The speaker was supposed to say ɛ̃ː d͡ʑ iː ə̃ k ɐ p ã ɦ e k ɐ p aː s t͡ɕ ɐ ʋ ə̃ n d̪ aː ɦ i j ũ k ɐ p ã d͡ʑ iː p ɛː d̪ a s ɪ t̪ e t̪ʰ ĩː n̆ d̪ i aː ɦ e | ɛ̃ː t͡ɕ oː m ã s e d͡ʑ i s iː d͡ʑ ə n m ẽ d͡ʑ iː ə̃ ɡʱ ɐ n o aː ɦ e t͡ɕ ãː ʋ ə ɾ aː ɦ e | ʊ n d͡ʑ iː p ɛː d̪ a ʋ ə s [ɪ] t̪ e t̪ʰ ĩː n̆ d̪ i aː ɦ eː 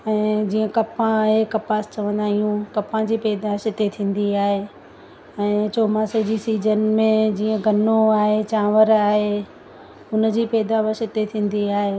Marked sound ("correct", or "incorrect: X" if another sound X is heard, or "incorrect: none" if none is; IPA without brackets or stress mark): correct